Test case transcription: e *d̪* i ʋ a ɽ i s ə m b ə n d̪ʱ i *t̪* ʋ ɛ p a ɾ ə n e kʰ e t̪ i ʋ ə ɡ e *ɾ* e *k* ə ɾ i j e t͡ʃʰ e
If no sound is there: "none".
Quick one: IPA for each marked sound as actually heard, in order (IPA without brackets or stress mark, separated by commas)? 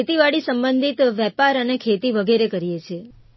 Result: t̪, t̪, ɾ, k